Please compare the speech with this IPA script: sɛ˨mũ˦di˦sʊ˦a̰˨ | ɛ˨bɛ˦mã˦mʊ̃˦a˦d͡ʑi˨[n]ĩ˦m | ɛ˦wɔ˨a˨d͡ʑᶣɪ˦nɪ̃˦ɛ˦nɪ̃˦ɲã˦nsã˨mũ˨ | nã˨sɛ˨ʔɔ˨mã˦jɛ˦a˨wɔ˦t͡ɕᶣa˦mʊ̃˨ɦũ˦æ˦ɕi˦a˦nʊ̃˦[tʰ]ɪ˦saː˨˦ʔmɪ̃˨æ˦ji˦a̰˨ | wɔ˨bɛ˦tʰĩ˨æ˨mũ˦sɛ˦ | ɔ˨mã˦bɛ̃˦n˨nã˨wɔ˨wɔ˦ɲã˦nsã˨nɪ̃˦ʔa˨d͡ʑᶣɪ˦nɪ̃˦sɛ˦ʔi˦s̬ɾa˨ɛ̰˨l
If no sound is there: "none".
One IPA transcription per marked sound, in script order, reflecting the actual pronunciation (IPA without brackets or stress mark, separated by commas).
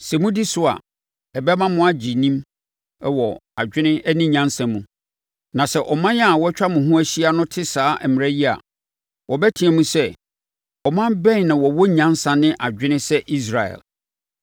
n, tʰ